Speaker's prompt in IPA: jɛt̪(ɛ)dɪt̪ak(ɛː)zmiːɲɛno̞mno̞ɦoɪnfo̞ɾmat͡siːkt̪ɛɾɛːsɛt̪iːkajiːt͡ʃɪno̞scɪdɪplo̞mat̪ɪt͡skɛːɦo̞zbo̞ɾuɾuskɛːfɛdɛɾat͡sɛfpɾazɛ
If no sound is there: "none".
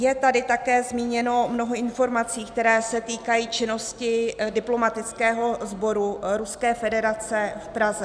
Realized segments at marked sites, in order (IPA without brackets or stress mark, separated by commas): a, ɛː